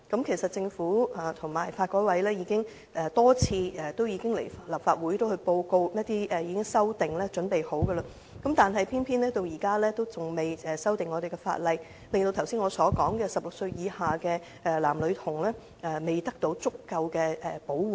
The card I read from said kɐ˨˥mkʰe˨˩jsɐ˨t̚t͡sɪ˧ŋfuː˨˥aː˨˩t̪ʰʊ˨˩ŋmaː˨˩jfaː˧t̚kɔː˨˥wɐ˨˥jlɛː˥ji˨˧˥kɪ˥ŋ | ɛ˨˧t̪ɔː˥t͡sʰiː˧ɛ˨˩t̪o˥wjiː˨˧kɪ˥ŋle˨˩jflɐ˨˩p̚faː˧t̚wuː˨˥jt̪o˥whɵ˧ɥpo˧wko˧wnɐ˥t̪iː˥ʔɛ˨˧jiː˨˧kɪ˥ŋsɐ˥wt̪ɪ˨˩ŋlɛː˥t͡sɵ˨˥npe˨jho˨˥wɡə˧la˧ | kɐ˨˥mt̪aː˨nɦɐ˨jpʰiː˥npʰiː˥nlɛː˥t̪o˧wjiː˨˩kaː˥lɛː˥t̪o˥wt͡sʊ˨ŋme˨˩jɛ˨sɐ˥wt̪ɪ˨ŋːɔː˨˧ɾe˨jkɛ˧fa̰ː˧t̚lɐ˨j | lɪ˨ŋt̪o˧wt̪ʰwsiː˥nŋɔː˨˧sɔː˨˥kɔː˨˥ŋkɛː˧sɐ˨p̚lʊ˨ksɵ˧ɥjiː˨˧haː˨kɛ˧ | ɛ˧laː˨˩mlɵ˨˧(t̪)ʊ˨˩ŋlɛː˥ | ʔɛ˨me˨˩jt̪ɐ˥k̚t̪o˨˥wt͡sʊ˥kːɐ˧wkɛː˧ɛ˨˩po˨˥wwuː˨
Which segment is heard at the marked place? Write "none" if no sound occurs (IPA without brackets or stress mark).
t̪ʰ